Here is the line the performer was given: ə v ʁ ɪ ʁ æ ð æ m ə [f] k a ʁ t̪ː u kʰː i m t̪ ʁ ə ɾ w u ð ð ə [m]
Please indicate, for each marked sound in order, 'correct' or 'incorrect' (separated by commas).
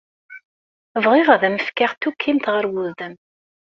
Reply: correct, correct